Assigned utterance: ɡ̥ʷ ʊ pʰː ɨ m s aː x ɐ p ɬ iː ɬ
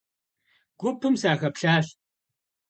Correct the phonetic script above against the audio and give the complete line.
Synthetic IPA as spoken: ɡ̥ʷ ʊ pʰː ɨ m s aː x ɐ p ɬ aː ɬ